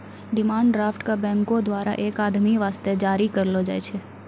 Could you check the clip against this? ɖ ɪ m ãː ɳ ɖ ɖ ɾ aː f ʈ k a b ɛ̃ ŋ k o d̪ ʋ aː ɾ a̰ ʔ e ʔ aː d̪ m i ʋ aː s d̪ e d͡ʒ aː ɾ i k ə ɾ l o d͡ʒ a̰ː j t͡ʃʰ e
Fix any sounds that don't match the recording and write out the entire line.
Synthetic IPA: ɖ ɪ m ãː ɳ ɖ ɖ ɾ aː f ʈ k a b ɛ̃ ŋ k o d̪ ʋ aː ɾ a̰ ʔ e k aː d̪ m i ʋ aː s t̪ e d͡ʒ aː ɾ i k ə ɾ l o d͡ʒ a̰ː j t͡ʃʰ e